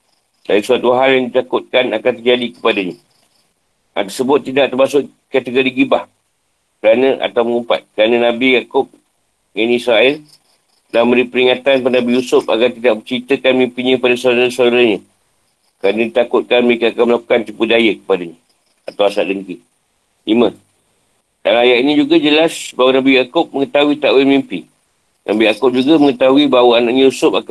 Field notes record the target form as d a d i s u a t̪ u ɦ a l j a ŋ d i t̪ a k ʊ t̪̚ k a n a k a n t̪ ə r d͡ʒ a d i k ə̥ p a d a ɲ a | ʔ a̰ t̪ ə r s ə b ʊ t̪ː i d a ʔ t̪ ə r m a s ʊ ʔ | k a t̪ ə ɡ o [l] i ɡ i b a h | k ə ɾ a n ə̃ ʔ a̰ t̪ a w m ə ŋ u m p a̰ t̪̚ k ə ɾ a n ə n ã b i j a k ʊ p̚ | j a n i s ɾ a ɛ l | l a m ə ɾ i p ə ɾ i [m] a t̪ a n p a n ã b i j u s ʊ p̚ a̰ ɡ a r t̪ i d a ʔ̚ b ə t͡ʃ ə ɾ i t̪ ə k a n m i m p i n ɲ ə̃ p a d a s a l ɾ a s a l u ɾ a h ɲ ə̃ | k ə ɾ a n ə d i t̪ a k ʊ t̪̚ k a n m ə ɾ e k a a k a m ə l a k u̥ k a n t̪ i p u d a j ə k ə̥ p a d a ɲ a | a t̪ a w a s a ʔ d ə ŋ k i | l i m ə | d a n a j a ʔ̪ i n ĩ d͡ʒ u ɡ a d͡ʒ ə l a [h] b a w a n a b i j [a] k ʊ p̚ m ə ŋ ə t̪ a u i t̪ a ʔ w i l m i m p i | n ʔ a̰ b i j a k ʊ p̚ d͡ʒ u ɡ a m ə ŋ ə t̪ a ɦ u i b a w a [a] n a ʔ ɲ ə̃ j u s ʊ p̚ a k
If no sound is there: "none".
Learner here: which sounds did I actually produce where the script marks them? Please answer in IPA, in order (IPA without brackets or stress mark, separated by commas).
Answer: ɾ, ŋ, s, a, a